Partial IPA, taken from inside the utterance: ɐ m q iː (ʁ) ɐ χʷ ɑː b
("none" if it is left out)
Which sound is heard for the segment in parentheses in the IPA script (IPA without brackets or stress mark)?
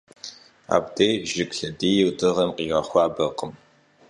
ʁ